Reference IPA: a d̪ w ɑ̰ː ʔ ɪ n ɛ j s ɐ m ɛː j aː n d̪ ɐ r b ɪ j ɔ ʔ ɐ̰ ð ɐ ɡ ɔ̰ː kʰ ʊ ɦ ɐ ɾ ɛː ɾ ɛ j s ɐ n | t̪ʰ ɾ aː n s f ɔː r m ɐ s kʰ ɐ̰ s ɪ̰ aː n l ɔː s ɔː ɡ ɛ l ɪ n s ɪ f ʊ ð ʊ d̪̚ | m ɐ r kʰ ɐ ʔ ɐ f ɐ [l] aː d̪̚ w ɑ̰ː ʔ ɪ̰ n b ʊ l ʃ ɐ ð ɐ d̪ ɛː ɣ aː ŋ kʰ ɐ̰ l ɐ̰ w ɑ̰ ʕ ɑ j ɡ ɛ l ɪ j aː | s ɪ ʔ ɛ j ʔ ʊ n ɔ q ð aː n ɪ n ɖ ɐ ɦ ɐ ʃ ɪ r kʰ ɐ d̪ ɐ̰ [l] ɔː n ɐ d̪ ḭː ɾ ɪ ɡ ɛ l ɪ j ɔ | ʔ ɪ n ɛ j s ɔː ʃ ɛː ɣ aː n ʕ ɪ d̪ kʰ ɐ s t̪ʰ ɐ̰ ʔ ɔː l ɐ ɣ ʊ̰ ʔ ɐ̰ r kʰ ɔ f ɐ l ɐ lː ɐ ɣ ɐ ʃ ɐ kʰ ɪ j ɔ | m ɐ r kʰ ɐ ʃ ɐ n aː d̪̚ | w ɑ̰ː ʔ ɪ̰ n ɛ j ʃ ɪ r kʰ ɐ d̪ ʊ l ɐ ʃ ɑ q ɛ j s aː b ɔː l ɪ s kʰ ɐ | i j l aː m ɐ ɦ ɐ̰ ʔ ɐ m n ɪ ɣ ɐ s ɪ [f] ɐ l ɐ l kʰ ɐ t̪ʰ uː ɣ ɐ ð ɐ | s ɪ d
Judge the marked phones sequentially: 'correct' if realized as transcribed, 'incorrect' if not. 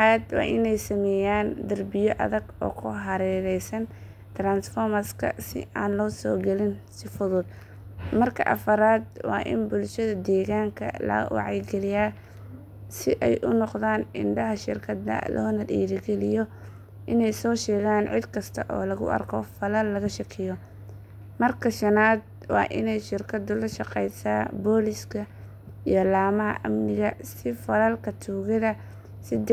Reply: incorrect, correct, correct

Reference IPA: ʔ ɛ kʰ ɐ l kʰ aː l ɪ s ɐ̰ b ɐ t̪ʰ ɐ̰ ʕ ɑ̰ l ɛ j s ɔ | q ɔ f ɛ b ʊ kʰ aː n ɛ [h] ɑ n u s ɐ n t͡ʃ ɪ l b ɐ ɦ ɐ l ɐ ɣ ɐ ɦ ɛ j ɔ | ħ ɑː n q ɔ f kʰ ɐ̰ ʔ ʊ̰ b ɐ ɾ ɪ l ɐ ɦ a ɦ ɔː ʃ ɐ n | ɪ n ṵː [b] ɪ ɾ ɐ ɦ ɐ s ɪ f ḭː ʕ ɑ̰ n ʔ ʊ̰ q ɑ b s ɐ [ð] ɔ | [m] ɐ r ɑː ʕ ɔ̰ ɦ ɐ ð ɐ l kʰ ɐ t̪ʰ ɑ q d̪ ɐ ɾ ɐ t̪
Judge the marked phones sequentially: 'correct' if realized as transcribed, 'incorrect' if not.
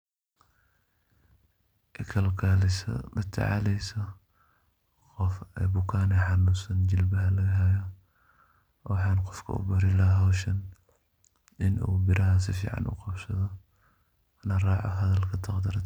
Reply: incorrect, correct, correct, incorrect

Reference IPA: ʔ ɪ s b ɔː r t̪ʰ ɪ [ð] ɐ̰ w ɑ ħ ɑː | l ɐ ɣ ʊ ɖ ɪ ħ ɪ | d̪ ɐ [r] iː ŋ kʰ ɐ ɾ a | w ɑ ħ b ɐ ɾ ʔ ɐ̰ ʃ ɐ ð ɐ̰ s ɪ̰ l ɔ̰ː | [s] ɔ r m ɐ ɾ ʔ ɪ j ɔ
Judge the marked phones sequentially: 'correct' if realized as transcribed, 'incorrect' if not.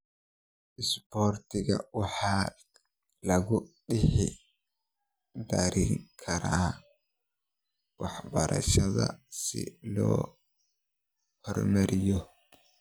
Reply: incorrect, incorrect, incorrect

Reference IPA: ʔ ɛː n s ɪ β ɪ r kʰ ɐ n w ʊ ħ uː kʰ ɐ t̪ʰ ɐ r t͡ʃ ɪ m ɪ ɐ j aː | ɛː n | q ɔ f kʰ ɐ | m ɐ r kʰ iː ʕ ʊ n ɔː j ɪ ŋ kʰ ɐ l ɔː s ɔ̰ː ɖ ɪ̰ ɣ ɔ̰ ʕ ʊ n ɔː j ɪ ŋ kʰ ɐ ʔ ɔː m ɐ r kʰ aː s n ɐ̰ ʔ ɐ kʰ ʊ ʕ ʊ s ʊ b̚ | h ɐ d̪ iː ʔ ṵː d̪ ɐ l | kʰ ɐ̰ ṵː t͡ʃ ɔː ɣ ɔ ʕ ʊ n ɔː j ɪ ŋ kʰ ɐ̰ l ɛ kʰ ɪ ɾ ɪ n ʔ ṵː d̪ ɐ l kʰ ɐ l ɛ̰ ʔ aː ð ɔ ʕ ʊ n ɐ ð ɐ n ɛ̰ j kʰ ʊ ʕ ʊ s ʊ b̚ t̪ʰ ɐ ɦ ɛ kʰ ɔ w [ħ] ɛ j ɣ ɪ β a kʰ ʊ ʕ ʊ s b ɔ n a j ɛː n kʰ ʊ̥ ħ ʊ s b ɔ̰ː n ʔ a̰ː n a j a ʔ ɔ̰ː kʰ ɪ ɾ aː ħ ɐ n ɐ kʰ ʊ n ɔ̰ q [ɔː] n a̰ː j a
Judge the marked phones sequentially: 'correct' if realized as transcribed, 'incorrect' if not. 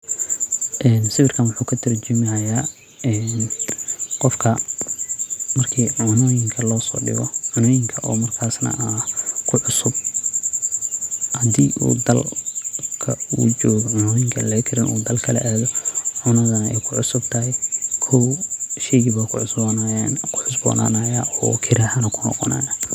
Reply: incorrect, incorrect

